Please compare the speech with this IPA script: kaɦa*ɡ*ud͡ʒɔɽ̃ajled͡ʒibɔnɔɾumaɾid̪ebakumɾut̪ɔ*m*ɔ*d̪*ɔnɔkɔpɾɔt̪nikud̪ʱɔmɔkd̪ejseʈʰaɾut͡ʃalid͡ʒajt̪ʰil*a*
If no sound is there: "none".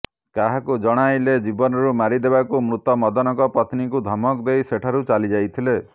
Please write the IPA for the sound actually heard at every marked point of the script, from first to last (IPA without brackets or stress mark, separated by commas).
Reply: k, m, d̪, e